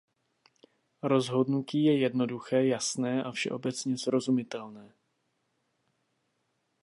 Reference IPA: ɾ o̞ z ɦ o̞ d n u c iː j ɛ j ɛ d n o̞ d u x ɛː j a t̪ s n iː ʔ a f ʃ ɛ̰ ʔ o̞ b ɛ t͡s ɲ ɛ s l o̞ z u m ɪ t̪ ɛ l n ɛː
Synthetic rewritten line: ɾ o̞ z ɦ o̞ d n u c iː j ɛ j ɛ d n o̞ d u x ɛː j a s n ɛː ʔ a f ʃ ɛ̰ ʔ o̞ b ɛ t͡s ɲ ɛ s ɾ o̞ z u m ɪ t̪ ɛ l n ɛː